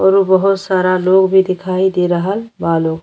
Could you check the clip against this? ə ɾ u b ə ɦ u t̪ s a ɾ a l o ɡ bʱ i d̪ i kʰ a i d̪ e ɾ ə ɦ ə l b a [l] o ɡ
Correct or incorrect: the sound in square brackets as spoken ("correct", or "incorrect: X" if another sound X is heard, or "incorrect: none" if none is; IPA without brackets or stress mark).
correct